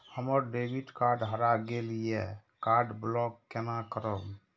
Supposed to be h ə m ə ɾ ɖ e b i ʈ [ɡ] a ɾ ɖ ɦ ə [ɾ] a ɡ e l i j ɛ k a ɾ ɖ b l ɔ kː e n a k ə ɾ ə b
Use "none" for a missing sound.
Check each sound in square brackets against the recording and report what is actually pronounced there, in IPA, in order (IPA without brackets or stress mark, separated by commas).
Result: k, ɾ